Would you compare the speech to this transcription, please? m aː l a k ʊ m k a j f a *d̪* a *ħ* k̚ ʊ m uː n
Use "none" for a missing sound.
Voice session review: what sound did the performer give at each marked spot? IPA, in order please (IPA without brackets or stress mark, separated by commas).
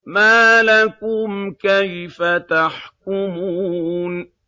t̪, ħ